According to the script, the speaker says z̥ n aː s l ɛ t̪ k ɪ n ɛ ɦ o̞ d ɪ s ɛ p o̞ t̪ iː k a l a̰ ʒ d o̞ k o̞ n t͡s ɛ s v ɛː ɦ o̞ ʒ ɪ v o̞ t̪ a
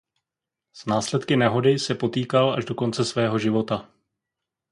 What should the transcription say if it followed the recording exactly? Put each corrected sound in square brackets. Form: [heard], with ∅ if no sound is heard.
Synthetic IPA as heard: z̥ n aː s l ɛ t̪ k ɪ n ɛ ɦ o̞ d ɪ s ɛ p o̞ t̪ iː k a l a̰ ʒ d o̞ k o̞ n t͡s ɛ s v ɛː ɦ o̞ ʒ ɪ v o̞ t̪ a

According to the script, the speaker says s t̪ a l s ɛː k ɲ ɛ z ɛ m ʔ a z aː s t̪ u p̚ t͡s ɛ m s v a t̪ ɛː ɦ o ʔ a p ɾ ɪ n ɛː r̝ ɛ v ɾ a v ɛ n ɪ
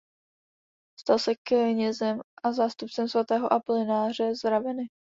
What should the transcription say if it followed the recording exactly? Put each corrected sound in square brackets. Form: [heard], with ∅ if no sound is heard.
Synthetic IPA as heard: s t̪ a l s [ɛ] k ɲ ɛ z ɛ m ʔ a z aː s t̪ u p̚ t͡s ɛ m s v a t̪ ɛː ɦ o ʔ a p [l] ɪ n [aː] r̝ ɛ [z] ɾ a v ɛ n ɪ

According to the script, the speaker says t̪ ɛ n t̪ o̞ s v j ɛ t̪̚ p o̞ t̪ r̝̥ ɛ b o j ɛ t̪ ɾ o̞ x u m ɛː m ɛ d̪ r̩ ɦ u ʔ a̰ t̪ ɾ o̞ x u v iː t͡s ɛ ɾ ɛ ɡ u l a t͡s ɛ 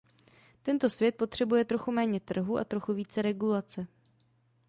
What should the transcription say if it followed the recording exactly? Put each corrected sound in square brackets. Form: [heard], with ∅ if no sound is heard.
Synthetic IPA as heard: t̪ ɛ n t̪ o̞ s v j ɛ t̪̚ p o̞ t̪ r̝̥ ɛ b [u] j ɛ t̪ ɾ o̞ x u m ɛː [ɲ] ɛ [t̪] r̩ ɦ u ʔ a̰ t̪ ɾ o̞ x u v iː t͡s ɛ ɾ ɛ ɡ u l a t͡s ɛ

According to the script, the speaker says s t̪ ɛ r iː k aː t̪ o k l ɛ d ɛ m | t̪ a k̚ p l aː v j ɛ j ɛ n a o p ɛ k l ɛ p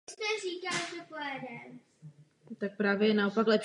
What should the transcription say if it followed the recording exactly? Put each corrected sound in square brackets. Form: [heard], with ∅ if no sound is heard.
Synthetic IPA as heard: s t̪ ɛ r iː k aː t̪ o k l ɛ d ɛ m | t̪ a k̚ p [ɾ] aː v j ɛ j ɛ n a o p [a] k l ɛ p

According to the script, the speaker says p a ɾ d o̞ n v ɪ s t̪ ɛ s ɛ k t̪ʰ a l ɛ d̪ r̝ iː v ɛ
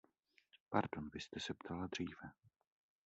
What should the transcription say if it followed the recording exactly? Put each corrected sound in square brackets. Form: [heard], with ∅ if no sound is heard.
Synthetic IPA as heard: p a ɾ d o̞ n v ɪ s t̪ ɛ s ɛ [p] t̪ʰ a l [a] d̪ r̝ iː v ɛ

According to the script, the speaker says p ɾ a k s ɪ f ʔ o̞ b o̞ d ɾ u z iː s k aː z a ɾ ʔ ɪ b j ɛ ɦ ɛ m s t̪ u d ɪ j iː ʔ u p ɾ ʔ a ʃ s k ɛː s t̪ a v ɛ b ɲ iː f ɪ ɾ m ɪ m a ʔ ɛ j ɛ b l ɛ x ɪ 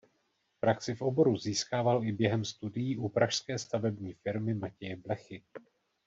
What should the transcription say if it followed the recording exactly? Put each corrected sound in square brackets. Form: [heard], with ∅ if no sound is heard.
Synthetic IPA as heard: p ɾ a k s ɪ f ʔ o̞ b o̞ [∅] ɾ u z iː s k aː [v] a [l] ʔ ɪ b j ɛ ɦ ɛ m s t̪ u d ɪ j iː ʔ u p ɾ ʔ a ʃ s k ɛː s t̪ a v ɛ b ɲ iː f ɪ ɾ m ɪ m a [c] ɛ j ɛ b l ɛ x ɪ

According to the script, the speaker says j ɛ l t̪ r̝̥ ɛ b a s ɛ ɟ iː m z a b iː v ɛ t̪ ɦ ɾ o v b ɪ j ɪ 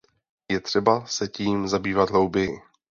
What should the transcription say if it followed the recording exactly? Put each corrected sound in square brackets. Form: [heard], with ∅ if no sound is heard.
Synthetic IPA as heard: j ɛ [∅] t̪ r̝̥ ɛ b a s ɛ [c] iː m z a b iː v [a] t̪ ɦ [l] o [w] b ɪ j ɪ

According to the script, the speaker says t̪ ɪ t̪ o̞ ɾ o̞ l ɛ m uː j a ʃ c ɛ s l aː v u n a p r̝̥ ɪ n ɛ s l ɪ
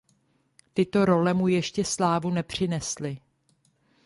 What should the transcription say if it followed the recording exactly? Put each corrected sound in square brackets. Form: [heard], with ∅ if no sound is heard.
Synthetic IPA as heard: t̪ ɪ t̪ o̞ ɾ o̞ l ɛ m [u] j [ɛ] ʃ c ɛ s l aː v u n [ɛ] p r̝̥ ɪ n ɛ s l ɪ

